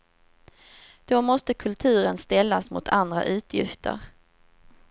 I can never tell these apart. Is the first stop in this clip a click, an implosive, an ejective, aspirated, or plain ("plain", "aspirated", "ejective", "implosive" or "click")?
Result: plain